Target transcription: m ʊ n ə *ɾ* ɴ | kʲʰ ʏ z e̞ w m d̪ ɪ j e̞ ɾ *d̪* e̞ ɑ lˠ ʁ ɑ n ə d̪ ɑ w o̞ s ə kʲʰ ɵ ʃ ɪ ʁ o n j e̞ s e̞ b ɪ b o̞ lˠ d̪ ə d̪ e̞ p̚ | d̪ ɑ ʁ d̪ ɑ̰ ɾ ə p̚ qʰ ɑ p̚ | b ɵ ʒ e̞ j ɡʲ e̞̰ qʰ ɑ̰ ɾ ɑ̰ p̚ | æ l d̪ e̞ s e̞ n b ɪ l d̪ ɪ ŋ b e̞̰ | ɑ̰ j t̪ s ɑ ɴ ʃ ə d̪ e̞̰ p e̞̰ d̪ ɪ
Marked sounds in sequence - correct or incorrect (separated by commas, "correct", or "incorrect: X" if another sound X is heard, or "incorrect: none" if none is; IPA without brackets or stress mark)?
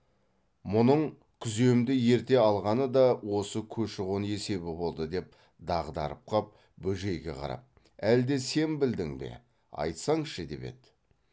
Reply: incorrect: none, incorrect: t̪